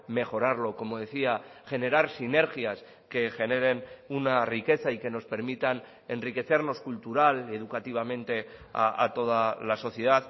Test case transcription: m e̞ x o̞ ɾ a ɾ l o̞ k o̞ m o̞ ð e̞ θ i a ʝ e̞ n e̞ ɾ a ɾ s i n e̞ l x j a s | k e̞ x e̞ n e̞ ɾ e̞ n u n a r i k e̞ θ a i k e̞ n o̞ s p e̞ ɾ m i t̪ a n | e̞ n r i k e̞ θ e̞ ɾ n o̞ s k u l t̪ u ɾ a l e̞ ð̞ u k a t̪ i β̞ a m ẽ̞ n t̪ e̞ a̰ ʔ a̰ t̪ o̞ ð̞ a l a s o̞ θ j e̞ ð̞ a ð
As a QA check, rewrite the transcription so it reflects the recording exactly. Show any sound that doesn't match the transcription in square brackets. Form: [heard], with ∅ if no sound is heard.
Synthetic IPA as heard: m e̞ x o̞ ɾ a ɾ l o̞ k o̞ m o̞ ð e̞ θ i a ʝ e̞ n e̞ ɾ a ɾ s i n e̞ [ɾ] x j a s | k e̞ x e̞ n e̞ ɾ e̞ n u n a r i k e̞ θ a i k e̞ n o̞ s p e̞ ɾ m i t̪ a n | e̞ n r i k e̞ θ e̞ ɾ n o̞ s k u l t̪ u ɾ a l e̞ ð̞ u k a t̪ i β̞ a m ẽ̞ n t̪ e̞ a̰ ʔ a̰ t̪ o̞ ð̞ a l a s o̞ θ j e̞ ð̞ a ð